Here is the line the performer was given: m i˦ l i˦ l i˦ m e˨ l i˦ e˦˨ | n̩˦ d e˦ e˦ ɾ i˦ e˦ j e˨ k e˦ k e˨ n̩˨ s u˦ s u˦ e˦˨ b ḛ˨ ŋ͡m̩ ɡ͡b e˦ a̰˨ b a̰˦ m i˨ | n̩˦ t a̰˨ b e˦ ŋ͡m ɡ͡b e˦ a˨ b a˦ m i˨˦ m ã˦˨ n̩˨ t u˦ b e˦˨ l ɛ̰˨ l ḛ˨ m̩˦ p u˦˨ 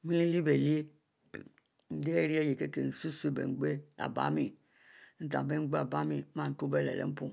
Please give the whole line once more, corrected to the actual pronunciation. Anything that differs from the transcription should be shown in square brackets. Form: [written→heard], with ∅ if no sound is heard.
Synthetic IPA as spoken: m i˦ l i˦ l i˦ [m→b] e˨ l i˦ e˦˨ | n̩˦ d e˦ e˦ ɾ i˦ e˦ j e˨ k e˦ k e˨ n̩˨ s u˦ s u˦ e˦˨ b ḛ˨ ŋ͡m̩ ɡ͡b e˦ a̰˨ b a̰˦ m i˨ | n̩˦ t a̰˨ b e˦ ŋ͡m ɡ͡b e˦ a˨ b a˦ m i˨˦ m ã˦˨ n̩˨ t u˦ b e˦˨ l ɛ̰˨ l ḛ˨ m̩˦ p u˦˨